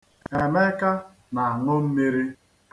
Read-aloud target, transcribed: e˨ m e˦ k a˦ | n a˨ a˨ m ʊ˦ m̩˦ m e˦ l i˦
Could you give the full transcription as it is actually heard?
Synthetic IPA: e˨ m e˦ k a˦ | n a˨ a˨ ŋ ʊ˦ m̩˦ m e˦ ɾ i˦